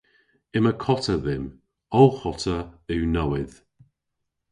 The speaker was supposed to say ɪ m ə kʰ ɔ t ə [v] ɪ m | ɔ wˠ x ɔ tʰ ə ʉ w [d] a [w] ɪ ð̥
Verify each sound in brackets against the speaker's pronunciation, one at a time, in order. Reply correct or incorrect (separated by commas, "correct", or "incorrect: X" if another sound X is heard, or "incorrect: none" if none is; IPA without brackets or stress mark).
incorrect: ð, incorrect: n, correct